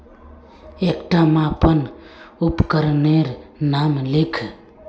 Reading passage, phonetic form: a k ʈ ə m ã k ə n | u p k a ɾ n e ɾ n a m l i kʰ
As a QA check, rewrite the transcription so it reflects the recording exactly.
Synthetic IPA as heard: e k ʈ a m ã p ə n | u p k ə ɾ n e ɾ n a m l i kʰ